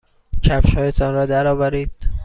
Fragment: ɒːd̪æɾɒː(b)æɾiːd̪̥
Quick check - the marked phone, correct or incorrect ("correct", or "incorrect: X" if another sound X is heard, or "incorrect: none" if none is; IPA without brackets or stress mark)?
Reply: incorrect: v